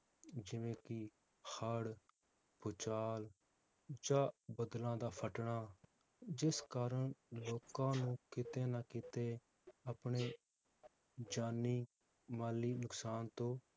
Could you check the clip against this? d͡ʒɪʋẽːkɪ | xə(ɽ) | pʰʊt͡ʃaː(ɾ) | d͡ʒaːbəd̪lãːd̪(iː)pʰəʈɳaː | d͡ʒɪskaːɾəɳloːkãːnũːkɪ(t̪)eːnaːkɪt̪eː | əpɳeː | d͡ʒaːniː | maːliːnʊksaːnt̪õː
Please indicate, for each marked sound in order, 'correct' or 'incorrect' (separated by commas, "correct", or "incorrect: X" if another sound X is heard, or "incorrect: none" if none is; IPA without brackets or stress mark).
correct, incorrect: l, incorrect: aː, correct